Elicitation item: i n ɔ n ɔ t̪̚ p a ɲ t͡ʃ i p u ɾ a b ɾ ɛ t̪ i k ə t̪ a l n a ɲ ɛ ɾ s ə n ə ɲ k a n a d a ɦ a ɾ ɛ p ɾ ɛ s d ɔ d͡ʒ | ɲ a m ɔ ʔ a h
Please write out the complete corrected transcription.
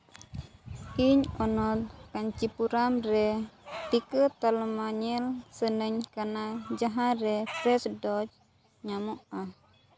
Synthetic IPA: i ɲ ɔ n ɔ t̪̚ k a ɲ t͡ʃ i p u ɾ a m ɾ ɛ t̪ i k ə t̪ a l m a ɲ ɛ l s ə n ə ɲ k a n a d͡ʒ a ɦ a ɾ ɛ p ɾ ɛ s d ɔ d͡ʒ | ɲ a m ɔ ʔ a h